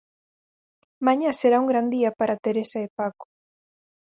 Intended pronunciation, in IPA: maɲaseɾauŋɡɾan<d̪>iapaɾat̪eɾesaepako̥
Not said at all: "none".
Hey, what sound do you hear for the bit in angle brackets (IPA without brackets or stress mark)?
d̪